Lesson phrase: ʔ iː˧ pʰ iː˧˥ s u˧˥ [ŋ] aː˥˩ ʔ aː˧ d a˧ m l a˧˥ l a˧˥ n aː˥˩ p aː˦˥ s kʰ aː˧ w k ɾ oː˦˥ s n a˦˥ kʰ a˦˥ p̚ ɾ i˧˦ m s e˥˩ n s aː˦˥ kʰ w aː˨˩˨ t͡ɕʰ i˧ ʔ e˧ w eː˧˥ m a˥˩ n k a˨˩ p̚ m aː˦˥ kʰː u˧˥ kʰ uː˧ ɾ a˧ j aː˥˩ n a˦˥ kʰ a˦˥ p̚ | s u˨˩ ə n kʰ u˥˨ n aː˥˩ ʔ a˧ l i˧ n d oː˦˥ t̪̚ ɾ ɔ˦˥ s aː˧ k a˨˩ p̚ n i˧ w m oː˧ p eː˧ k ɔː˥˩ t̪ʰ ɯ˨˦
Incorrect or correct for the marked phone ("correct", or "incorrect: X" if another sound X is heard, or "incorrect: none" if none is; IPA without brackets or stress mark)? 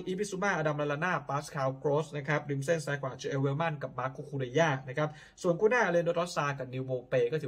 incorrect: m